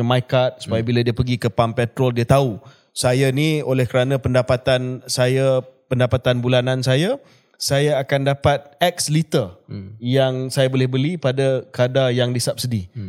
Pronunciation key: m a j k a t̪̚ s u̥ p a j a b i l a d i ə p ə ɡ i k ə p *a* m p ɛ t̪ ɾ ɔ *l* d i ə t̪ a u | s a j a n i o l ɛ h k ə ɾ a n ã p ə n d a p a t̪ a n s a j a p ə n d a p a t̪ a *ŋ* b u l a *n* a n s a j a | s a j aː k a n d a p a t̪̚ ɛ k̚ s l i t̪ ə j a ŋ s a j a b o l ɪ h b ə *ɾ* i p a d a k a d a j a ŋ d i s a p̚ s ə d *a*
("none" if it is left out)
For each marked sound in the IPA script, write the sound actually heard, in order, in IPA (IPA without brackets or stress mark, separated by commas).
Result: a, l, n, n, l, i